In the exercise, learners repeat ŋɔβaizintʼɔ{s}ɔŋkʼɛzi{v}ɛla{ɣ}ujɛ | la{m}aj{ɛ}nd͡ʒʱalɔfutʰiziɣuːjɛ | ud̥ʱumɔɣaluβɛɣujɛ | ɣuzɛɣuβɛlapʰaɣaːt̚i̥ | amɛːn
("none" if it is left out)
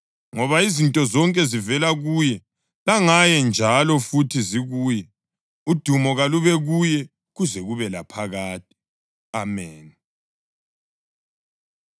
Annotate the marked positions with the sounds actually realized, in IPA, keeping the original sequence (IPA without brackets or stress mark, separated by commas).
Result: z, v, ɣ, ŋ, ɛ